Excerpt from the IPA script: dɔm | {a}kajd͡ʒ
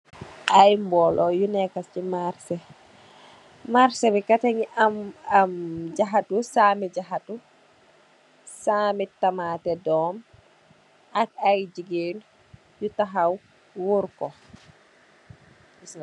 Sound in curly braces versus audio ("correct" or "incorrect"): correct